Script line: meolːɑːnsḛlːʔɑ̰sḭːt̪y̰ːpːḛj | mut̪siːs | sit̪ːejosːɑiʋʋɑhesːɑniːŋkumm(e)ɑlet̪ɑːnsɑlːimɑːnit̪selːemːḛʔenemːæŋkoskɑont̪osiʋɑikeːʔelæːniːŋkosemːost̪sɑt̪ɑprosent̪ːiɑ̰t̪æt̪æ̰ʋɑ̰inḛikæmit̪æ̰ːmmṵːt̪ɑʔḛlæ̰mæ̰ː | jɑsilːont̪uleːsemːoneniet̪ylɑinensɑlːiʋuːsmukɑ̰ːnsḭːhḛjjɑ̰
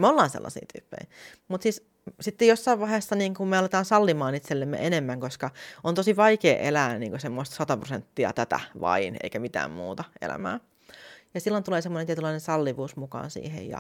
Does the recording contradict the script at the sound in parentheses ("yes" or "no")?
no